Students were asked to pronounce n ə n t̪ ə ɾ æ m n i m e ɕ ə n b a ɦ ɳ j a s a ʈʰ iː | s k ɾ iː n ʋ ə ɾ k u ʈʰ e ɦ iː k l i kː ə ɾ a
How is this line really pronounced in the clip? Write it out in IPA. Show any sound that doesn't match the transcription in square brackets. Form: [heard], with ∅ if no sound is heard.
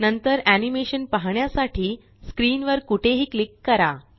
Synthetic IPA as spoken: n ə n t̪ ə ɾ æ [∅] n i m e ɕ ə n [p] a ɦ ɳ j a s a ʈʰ iː | s k ɾ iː n ʋ ə ɾ k u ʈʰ e ɦ iː k l i kː ə ɾ a